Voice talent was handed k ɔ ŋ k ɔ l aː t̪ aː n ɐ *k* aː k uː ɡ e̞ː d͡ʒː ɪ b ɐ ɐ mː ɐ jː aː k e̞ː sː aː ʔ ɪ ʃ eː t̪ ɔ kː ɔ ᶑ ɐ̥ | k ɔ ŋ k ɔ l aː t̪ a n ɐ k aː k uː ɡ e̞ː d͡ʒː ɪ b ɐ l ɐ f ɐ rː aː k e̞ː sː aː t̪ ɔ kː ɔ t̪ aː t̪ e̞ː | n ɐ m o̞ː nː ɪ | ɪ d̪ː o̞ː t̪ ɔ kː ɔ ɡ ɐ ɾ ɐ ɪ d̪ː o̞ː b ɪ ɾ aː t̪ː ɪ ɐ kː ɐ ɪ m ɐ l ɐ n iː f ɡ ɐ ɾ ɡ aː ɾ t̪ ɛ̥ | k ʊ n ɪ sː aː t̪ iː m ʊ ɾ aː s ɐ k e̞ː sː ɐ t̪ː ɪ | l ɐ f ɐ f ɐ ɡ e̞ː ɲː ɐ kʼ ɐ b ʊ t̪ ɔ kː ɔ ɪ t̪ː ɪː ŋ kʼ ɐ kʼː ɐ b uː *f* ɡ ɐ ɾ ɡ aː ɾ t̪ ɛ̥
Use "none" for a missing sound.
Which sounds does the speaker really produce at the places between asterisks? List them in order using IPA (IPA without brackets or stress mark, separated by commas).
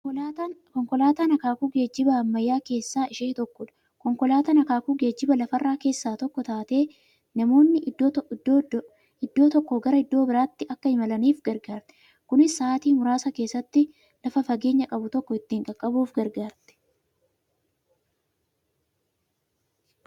k, f